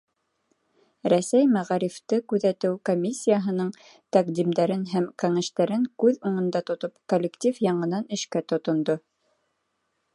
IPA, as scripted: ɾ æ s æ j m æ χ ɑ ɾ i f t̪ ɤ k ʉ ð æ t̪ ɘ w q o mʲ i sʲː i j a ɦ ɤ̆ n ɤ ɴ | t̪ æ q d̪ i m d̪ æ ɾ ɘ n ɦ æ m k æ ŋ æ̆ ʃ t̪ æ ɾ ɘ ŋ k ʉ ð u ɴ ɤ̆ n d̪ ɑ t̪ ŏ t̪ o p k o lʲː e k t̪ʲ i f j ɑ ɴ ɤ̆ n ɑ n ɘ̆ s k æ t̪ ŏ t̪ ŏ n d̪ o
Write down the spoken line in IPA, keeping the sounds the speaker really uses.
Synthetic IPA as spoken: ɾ æ s æ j m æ ʁ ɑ ɾ i f t̪ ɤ k ʉ ð æ t̪ ɘ w k o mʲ i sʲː i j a ɦ ɤ̆ n ɤ ɴ | t̪ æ q d̪ i m d̪ æ ɾ ɘ n ɦ æ m k æ ŋ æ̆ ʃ t̪ æ ɾ ɘ ŋ k ʉ ð u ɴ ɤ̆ n d̪ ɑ t̪ ŏ t̪ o p k o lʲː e k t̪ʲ i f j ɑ ɴ ɤ̆ n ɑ n ɘ̆ ʃ k æ t̪ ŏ t̪ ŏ n d̪ o